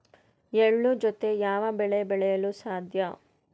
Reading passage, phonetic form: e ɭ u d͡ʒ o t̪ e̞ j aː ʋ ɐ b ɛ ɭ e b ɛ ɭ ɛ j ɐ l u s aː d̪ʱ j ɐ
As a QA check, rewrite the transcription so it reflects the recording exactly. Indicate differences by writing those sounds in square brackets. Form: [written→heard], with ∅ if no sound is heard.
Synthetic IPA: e [ɭ→ɭː] u d͡ʒ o t̪ e̞ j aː ʋ ɐ b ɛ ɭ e b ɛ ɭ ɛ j ɐ l u s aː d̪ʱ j ɐ